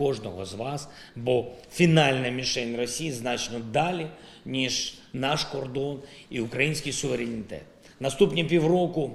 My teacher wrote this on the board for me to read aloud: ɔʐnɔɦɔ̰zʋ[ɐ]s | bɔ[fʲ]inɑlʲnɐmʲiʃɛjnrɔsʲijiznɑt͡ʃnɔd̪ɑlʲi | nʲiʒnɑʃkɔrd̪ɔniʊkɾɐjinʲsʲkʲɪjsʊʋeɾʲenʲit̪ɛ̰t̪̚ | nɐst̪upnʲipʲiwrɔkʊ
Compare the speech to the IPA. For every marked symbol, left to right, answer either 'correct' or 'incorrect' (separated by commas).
incorrect, correct